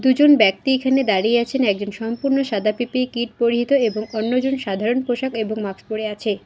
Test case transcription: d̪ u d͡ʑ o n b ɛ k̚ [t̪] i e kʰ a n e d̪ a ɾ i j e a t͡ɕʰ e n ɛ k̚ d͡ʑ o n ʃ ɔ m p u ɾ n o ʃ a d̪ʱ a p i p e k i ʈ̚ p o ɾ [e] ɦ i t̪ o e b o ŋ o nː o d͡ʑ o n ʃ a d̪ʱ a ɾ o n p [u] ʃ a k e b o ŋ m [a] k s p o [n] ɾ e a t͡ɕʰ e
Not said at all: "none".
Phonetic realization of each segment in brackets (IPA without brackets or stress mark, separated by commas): t̪, i, o, a, none